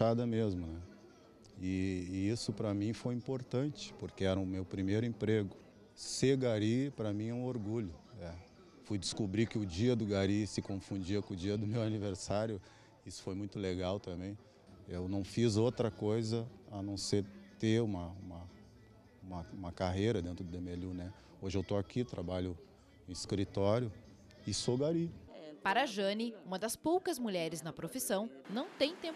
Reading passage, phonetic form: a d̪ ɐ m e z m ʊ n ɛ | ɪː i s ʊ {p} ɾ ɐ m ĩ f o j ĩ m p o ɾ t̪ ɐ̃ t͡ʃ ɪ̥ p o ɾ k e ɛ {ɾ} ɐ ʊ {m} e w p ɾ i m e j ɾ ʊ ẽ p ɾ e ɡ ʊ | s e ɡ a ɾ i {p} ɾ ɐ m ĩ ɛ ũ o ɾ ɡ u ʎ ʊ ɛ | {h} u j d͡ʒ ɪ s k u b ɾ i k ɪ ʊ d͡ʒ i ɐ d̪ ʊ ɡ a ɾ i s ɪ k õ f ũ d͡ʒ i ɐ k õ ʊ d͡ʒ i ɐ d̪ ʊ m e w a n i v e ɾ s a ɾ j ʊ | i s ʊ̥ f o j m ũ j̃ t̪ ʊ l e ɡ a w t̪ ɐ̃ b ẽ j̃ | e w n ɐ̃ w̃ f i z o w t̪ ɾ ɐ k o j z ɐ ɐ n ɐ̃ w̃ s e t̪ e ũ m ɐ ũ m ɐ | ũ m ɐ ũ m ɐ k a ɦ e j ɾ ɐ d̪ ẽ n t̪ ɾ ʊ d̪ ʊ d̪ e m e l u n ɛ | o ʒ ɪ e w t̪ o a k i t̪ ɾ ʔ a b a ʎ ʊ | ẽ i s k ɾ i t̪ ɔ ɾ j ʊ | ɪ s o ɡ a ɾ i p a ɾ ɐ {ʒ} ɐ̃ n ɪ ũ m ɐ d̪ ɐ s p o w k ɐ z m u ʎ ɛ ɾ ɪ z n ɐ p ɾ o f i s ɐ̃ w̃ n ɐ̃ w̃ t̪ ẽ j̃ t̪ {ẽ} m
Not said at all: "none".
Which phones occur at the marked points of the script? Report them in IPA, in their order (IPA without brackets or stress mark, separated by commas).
p, ɾ, m, p, f, ʒ, ẽ